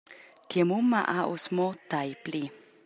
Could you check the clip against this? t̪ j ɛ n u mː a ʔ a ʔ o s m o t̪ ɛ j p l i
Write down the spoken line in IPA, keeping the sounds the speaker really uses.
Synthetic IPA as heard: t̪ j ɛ m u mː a ʔ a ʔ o s m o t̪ a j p l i